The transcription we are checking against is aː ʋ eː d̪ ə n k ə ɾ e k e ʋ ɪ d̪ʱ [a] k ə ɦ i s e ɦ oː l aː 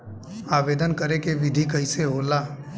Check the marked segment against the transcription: incorrect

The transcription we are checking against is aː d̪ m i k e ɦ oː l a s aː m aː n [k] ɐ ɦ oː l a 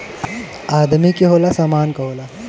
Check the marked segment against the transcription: correct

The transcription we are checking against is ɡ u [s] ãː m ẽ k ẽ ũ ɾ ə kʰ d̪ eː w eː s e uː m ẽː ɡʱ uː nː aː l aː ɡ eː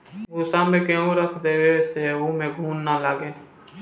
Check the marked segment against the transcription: correct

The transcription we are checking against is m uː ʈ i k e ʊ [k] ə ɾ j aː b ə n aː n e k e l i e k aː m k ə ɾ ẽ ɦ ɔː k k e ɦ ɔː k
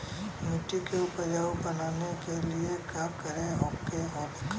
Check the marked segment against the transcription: incorrect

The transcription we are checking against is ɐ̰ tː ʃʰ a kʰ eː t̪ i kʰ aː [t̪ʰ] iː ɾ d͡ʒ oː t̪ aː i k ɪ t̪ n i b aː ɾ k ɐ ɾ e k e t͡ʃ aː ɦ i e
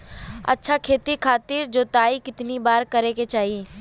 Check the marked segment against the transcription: incorrect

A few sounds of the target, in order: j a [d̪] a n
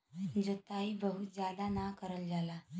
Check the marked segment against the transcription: correct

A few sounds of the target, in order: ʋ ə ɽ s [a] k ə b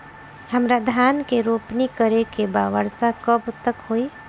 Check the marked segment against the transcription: correct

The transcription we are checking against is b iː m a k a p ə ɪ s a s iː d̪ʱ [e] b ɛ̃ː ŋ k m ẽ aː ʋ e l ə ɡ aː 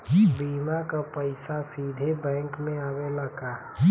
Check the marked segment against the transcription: correct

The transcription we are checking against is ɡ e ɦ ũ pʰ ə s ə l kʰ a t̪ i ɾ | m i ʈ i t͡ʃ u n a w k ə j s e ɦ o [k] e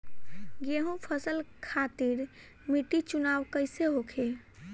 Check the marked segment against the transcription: incorrect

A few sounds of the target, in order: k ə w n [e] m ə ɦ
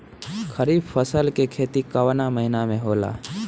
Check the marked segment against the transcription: incorrect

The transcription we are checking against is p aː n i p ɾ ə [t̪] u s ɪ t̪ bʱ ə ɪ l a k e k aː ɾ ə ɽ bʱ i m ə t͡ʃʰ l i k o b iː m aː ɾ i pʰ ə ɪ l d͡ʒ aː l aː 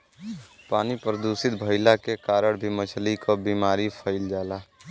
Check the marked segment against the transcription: incorrect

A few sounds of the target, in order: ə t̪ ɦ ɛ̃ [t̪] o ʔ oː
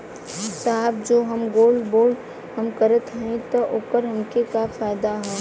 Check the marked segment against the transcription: correct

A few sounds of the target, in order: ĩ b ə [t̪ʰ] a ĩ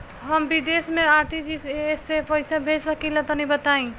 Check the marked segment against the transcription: incorrect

